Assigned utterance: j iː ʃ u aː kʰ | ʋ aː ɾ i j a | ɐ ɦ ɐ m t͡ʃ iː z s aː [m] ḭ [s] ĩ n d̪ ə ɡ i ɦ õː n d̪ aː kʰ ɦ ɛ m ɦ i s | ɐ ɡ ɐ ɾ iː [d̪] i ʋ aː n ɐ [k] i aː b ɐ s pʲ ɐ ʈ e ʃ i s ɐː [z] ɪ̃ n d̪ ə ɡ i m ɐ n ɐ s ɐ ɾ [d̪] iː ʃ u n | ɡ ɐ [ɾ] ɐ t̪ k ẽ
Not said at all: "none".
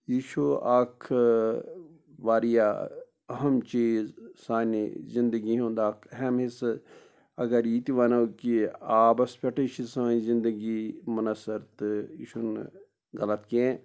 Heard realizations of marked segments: n, z, t̪, k, z, t̪, l

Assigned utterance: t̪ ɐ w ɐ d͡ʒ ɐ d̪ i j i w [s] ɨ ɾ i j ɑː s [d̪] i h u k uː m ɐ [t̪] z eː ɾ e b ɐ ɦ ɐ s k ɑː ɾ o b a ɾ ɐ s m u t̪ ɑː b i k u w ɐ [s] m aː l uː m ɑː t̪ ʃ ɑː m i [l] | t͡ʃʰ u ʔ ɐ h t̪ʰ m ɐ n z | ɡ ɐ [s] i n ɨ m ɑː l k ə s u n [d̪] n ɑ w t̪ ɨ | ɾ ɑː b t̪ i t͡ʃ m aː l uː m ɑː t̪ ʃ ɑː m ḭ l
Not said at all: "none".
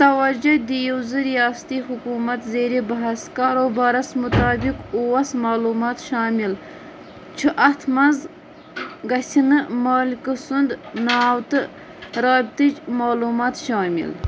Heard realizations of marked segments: z, t̪, t̪, s, l, s, d̪

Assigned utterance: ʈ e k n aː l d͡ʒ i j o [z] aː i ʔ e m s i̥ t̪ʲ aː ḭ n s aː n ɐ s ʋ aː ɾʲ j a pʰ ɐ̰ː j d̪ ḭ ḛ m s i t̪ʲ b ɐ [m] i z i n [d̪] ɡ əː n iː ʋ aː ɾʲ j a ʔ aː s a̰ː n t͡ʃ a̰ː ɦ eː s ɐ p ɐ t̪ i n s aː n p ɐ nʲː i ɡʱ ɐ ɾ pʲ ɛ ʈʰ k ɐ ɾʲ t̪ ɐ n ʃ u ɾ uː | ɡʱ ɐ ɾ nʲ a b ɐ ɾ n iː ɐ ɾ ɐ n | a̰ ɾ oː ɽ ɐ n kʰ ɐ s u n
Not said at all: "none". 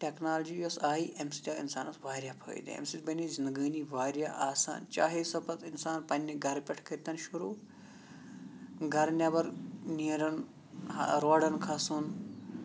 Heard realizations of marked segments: s, n, d̪

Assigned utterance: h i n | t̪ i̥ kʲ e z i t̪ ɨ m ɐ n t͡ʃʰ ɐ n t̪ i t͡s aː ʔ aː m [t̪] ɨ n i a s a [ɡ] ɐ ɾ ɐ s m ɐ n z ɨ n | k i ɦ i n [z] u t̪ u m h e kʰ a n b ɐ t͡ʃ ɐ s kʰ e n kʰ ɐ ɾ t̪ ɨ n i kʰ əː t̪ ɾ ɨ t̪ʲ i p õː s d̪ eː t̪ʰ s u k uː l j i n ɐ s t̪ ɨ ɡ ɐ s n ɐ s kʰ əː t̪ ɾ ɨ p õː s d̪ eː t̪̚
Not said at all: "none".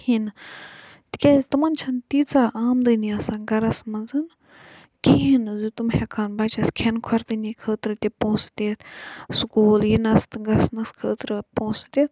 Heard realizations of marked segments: d̪, ɡ, z

